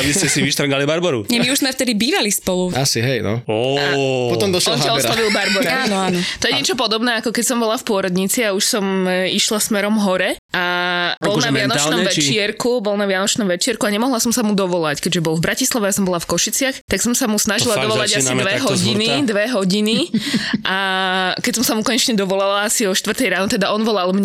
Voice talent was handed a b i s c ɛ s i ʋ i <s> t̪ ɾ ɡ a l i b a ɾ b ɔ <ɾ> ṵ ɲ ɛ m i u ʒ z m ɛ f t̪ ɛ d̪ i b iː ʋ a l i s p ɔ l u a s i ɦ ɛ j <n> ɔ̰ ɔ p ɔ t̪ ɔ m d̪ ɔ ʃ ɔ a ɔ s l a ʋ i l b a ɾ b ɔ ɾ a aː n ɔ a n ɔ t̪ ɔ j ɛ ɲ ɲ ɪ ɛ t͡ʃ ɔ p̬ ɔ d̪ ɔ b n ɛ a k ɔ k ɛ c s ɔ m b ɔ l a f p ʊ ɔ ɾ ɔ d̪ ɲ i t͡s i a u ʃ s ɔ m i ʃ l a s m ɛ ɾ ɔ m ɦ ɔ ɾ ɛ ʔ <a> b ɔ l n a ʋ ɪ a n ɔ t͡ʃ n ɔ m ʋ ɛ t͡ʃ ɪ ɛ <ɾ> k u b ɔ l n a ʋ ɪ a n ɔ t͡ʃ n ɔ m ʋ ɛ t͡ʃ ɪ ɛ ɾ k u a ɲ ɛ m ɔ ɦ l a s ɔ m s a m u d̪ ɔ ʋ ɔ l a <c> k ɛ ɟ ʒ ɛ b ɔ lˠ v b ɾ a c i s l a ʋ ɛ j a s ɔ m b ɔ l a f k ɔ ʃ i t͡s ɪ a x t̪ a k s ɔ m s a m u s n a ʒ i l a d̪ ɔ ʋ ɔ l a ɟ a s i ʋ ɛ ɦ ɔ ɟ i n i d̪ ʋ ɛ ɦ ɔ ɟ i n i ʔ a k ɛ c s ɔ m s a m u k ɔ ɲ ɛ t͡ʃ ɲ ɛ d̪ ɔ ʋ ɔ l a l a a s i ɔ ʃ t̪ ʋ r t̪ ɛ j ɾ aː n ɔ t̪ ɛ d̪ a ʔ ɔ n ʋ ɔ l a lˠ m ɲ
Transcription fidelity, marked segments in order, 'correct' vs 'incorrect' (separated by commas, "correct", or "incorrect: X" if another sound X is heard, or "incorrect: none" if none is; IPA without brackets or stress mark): incorrect: ʃ, correct, correct, correct, correct, correct